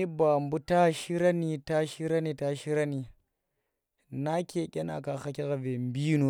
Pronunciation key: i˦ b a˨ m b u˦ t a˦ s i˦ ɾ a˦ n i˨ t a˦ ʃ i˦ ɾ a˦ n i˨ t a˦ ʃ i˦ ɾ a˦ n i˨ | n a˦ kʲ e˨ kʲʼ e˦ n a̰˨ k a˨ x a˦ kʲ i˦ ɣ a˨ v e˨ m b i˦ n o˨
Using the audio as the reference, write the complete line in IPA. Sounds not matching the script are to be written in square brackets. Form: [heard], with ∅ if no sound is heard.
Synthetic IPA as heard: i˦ b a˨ m b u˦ t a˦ [ʃ] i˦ ɾ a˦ n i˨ t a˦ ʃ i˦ ɾ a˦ n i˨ t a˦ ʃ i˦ ɾ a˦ n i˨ | n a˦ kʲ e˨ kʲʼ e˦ n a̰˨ k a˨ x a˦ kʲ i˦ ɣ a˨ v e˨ m b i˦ n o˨